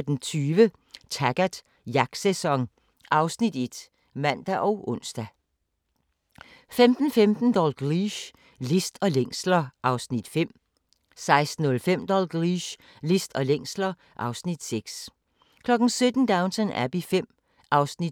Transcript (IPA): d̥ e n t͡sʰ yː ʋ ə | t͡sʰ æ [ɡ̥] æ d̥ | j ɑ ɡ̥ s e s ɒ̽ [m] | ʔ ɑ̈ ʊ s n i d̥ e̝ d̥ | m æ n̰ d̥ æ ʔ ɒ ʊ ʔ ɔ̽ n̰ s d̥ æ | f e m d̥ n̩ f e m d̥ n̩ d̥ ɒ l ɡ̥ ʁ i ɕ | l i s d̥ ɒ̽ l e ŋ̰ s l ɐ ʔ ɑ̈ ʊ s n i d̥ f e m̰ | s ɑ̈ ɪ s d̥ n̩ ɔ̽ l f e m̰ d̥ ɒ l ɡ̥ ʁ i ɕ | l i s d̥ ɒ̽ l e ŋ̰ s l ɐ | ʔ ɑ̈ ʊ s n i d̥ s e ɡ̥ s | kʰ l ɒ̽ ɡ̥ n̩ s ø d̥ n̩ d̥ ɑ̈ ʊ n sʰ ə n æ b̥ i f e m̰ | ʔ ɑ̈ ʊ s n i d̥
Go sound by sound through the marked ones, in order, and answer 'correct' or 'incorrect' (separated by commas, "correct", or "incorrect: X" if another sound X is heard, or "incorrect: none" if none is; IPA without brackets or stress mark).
correct, incorrect: ŋ